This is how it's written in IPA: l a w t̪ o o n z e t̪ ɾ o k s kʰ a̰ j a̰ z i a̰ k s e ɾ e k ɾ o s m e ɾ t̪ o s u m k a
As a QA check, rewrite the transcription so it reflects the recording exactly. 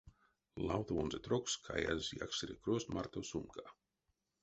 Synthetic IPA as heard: l a w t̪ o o n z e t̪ ɾ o k s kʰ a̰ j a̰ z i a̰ k s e ɾ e k ɾ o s m a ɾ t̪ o s u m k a